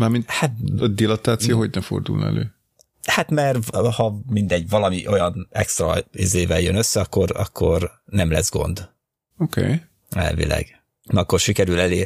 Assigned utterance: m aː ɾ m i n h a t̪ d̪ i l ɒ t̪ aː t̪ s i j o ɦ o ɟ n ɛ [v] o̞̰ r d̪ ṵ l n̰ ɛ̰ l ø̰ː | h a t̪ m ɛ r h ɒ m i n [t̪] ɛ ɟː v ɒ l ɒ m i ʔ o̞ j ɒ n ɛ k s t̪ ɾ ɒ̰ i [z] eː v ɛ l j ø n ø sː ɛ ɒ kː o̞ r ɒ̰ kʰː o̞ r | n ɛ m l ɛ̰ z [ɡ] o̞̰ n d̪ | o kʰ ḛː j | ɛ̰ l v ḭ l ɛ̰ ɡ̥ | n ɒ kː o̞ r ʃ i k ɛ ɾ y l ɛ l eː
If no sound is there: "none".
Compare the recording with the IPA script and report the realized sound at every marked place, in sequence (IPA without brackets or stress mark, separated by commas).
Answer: f, d̪, z, ɡ